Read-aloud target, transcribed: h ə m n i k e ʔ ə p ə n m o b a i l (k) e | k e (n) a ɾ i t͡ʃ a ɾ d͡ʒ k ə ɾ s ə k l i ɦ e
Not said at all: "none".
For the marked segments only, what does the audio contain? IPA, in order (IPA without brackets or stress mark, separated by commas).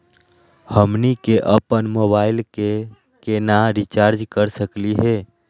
k, n